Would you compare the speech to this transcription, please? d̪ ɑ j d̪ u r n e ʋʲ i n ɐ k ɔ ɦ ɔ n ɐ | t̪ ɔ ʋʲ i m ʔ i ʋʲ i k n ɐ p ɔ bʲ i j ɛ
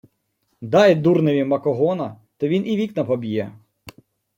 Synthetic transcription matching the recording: d̪ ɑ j d̪ u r n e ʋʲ i m ɐ k ɔ ɦ ɔ n ɐ | t̪ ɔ ʋʲ i n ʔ i ʋʲ i k n ɐ p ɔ bʲ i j ɛ